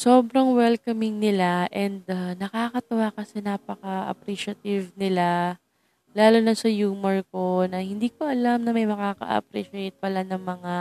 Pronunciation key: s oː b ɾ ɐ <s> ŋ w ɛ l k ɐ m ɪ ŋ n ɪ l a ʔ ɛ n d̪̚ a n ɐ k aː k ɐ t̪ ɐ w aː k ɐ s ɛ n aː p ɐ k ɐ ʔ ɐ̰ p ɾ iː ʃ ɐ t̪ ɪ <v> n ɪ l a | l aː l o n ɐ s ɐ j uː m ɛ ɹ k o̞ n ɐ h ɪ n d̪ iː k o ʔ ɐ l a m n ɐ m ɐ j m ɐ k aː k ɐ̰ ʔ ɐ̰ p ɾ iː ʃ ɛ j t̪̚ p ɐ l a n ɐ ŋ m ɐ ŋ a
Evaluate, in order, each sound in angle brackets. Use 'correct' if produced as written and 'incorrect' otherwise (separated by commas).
incorrect, correct